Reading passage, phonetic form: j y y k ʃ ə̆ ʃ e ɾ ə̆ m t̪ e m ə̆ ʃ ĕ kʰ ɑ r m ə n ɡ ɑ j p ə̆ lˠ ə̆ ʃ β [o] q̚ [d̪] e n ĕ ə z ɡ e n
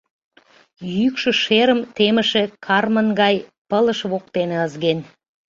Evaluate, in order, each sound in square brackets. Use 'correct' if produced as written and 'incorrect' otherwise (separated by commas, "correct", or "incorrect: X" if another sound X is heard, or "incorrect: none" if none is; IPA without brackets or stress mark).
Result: correct, incorrect: t̪